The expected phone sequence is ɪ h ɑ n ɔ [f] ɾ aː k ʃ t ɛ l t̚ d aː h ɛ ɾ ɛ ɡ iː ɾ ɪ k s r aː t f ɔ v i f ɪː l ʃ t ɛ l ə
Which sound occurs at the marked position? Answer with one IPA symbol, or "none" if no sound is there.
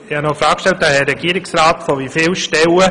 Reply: f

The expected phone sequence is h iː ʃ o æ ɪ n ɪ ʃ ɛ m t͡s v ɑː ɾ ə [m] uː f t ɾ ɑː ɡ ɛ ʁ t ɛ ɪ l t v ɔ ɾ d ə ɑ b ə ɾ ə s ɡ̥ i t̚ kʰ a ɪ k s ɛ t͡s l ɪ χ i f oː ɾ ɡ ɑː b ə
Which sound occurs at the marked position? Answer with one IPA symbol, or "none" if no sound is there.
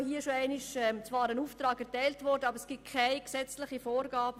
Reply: n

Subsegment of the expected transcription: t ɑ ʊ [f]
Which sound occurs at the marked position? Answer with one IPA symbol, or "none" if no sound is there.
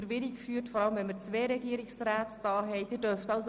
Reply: s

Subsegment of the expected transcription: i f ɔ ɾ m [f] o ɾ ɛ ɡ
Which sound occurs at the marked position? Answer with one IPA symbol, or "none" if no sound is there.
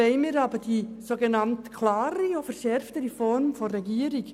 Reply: f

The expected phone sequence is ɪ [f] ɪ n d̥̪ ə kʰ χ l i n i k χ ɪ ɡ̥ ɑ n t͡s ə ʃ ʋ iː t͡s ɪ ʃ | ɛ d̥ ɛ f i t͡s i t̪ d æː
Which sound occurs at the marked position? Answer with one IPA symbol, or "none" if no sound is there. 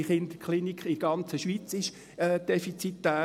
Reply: χ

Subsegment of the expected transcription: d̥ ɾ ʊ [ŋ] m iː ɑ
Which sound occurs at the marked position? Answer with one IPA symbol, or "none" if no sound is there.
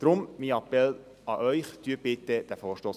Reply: m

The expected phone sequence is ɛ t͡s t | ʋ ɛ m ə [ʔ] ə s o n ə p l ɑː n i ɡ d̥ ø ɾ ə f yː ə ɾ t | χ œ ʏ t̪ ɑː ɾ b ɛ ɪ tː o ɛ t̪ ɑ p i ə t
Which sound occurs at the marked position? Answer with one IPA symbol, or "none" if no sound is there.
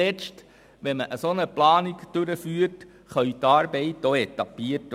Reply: ʔ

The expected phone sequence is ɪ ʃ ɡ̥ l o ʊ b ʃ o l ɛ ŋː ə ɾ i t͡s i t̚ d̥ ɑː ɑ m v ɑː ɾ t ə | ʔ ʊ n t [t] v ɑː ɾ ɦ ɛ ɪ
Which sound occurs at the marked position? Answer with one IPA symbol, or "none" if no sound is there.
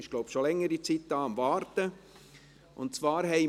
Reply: t͡s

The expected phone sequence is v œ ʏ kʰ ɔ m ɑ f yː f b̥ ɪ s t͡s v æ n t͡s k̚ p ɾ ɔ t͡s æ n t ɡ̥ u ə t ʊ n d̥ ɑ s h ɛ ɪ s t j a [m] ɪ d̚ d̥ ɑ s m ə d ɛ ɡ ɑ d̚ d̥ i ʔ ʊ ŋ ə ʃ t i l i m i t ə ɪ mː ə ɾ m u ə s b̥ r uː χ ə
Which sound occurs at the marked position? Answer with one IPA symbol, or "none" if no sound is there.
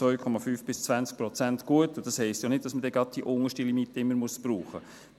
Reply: n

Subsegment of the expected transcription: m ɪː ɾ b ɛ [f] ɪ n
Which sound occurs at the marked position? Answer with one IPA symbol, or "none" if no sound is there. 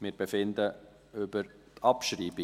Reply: f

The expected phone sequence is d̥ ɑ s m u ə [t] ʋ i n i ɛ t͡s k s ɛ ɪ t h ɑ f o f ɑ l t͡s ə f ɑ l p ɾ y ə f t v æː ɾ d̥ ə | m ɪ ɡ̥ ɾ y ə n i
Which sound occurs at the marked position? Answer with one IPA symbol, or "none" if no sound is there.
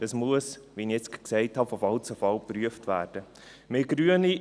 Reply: s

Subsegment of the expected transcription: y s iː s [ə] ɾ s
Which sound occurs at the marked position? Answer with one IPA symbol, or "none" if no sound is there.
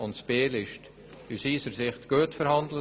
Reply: ə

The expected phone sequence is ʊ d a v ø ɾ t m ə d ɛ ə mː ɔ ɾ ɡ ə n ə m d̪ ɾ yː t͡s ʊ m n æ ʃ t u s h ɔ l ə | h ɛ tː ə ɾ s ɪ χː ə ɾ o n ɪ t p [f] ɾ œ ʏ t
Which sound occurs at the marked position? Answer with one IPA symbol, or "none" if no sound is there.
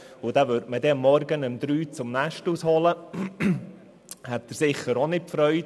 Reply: f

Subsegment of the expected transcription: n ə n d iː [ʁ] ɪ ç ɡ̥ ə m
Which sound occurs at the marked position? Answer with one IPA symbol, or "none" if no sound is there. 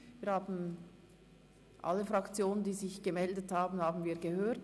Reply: z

